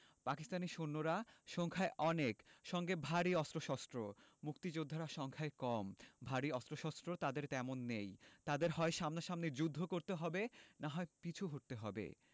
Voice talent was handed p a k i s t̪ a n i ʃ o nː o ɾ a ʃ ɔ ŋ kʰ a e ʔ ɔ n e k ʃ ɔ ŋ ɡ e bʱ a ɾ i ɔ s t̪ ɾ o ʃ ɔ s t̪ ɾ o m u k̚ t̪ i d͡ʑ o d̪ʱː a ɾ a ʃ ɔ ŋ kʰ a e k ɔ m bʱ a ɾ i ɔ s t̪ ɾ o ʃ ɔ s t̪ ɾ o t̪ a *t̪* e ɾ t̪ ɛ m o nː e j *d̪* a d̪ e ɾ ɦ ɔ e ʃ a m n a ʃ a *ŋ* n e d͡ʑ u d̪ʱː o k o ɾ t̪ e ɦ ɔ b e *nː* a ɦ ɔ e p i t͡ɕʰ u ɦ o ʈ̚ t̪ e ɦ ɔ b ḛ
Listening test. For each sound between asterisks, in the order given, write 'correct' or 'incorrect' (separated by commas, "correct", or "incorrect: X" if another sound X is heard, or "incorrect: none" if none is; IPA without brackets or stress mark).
incorrect: d̪, incorrect: t̪, incorrect: m, incorrect: n